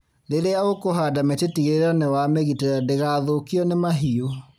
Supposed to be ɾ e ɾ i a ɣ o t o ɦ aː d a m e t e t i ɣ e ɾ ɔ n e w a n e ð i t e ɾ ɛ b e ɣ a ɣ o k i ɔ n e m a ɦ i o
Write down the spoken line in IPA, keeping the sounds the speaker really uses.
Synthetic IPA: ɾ e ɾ e a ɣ o k o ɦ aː d a m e t e t i ɣ e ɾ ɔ n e w a m e ɣ i t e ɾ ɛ d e ɣ a ð o k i ɔ n e m a ɦ i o

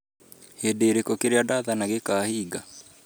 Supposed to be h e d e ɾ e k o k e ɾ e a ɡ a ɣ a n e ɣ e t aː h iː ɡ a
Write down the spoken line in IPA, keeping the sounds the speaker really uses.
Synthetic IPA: h e d e ɾ e k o k e ɾ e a d a ð a n a ɣ e k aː h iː ɡ a

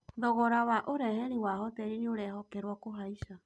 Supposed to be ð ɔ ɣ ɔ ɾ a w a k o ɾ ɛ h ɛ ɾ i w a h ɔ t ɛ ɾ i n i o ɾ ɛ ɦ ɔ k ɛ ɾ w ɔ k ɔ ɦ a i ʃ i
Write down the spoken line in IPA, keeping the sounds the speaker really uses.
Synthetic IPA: ð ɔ ɣ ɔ ɾ a w a ʔ o ɾ ɛ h ɛ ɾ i w a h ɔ t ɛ ɾ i n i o ɾ ɛ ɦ ɔ k ɛ ɾ w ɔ k o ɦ a i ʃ a

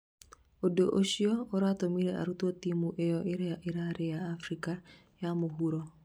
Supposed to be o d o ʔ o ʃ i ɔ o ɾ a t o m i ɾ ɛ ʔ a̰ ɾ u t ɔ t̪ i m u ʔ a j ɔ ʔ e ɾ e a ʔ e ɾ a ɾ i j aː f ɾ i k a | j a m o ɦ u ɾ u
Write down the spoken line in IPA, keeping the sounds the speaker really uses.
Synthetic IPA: o d o ʔ o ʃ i ɔ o ɾ a t o m i ɾ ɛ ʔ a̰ ɾ u t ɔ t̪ i m u ʔ e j ɔ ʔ e ɾ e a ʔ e ɾ a ɾ e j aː f ɾ i k a | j a m o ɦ u ɾ ɔ

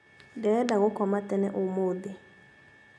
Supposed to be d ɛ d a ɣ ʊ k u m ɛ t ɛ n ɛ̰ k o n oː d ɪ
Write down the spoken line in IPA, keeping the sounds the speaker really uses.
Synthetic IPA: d ɛ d a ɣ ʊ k ɔ m a t ɛ n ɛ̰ ʔ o m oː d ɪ

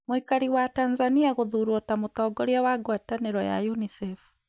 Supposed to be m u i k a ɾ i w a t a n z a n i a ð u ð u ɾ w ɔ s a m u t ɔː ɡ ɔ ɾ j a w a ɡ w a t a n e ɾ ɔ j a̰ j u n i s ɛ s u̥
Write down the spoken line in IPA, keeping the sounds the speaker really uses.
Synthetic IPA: m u i k a ɾ i w a t a n z a n i a ɣ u ð u ɾ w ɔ t a m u t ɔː ɡ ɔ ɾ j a w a ɡ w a t a n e ɾ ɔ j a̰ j u n i s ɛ f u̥

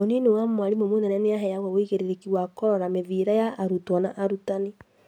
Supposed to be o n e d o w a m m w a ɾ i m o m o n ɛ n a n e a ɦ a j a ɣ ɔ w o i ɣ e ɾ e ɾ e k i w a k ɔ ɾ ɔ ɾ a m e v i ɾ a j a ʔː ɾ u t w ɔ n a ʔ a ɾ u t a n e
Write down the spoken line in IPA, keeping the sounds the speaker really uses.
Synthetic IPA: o n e n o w a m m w a ɾ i m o m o n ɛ n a n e a ɦ ɛ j a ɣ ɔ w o i ɣ e ɾ e ɾ e k i w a k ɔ ɾ ɔ ɾ a m e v i ɾ a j a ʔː ɾ u t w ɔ n a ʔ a ɾ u t a n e

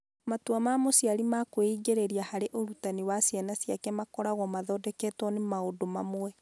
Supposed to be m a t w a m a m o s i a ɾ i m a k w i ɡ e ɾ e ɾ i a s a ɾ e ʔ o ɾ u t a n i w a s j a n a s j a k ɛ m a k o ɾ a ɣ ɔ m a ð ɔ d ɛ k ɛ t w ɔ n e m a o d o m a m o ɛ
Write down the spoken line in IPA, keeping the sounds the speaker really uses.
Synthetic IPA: m a t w a m a m o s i a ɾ i m a k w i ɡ e ɾ e ɾ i a h a ɾ e ʔ o ɾ u t a n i w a s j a n a s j a k ɛ m a k ɔ ɾ a ɣ ɔ m a ð ɔ d ɛ k ɛ t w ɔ n e m a o d o m a m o ɛ

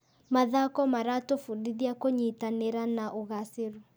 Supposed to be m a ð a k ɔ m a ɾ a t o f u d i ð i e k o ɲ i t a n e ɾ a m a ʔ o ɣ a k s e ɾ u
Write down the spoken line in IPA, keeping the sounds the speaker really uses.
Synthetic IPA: m a ð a k ɔ m a ɾ a t o f u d i ð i a k o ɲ i t a n e ɾ a n a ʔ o ɣ a s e ɾ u

